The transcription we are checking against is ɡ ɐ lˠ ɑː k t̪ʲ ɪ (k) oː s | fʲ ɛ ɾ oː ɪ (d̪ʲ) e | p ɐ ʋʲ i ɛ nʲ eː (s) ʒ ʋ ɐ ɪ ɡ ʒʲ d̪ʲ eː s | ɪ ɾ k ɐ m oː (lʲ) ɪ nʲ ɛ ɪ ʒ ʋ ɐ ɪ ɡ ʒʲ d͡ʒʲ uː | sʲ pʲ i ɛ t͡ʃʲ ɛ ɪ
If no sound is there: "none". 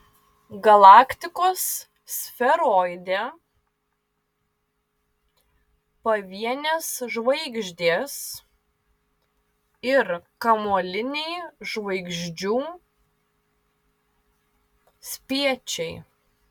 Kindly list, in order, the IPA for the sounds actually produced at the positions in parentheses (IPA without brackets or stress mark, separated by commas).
k, d̪ʲ, s, lʲ